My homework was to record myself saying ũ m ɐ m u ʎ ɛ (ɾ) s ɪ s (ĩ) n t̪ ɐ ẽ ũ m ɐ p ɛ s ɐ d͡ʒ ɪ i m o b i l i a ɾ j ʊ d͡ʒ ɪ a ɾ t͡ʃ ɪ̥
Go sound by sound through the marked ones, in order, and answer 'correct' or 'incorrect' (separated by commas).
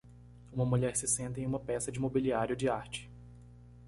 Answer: correct, incorrect